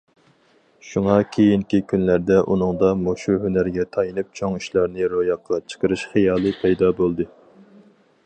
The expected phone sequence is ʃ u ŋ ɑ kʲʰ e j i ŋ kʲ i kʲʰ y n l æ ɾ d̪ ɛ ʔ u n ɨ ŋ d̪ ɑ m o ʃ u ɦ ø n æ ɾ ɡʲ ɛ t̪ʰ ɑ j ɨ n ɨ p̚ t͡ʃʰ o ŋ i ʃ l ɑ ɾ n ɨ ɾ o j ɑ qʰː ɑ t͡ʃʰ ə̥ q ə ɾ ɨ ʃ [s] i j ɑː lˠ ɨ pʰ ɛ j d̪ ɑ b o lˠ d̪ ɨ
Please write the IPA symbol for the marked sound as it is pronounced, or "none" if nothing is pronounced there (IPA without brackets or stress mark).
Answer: χ